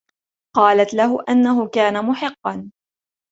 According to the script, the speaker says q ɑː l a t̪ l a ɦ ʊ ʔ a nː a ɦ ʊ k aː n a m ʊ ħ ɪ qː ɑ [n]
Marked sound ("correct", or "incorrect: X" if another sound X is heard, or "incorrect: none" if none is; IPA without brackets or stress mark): correct